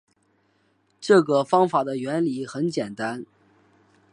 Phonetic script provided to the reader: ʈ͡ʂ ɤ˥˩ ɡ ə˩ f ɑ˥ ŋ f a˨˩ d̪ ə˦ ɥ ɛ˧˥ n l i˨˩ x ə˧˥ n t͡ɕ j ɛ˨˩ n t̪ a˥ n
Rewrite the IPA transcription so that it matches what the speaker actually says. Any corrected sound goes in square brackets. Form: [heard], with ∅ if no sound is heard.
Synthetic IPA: ʈ͡ʂ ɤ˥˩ ɡ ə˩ f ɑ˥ ŋ f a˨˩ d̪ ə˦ ɥ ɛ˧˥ n l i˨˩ x ə˧˥ n t͡ɕ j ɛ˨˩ n t̪ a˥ n